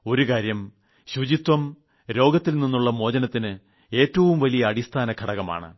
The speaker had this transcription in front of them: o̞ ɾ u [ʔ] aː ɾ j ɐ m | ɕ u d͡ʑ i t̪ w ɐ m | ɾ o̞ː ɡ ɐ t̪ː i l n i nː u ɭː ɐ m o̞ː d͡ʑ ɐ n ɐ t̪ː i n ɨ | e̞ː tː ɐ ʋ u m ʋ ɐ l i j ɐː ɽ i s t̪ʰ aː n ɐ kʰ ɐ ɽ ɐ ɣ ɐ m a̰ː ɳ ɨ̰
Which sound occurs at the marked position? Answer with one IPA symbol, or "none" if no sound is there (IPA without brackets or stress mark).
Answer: k